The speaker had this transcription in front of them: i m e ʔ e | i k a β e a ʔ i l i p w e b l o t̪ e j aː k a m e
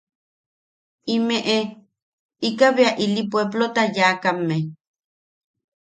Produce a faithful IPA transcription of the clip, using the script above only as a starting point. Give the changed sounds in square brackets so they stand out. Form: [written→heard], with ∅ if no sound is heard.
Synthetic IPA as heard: i m e ʔ e | i k a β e a ʔ i l i p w e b l o t̪ [e→a] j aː k a m e